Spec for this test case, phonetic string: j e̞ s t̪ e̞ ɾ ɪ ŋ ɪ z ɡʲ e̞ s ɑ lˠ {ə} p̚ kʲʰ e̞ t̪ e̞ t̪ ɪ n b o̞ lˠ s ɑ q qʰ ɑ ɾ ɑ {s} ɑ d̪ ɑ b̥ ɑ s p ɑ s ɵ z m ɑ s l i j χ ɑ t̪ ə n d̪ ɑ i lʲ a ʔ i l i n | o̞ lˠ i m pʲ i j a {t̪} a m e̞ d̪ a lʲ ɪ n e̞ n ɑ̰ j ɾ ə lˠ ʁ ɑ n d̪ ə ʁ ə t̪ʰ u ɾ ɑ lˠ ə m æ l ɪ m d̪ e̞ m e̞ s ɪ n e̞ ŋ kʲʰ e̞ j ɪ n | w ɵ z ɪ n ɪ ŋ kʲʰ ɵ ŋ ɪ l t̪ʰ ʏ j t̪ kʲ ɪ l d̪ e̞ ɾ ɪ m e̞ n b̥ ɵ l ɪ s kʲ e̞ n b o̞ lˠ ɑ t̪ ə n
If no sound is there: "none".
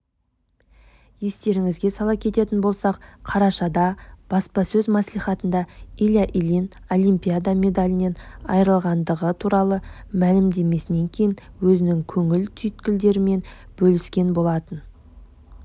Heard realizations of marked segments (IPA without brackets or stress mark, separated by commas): ɑ, ʃ, d̪